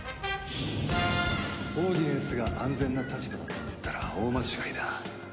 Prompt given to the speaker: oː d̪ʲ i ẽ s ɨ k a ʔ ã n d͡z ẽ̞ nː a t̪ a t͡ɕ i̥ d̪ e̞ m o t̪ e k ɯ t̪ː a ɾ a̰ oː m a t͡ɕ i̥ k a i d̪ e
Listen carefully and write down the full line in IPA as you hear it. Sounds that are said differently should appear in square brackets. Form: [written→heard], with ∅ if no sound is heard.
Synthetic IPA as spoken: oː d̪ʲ i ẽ s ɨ [k→ɡ] a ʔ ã n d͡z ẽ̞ nː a t̪ a t͡ɕ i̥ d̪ e̞ m o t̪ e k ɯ t̪ː a ɾ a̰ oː m a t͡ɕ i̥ k a i d̪ [e→a]